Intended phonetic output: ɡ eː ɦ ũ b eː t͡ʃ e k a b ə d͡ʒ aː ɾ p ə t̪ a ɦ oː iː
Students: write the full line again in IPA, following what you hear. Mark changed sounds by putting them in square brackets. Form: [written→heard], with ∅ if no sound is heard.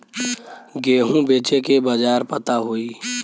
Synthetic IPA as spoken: ɡ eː ɦ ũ b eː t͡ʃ e k [a→e] b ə d͡ʒ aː ɾ p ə t̪ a ɦ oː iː